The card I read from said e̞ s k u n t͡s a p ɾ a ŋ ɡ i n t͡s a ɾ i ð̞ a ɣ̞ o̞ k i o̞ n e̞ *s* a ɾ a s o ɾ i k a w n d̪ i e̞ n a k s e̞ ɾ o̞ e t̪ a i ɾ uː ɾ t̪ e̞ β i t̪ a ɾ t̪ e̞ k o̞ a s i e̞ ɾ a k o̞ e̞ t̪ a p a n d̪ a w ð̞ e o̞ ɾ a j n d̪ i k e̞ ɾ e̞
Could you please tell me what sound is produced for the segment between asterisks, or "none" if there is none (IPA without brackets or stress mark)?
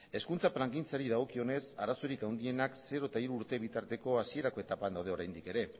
s